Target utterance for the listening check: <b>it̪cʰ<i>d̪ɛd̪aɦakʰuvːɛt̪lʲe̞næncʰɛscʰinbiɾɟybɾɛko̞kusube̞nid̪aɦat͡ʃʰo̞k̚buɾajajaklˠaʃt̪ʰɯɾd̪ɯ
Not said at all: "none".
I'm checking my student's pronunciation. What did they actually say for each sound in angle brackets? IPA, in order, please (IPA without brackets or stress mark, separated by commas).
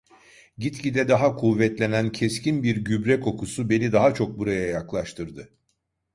ɟ, i